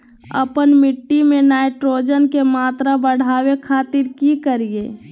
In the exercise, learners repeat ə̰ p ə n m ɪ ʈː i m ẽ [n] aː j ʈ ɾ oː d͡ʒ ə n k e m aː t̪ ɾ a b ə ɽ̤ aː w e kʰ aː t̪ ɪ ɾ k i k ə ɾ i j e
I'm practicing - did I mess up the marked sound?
no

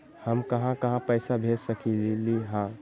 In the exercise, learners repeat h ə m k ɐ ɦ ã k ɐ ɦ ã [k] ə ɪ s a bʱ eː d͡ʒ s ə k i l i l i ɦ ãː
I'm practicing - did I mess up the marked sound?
yes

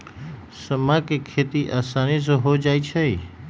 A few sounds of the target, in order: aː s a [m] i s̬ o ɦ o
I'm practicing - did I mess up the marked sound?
yes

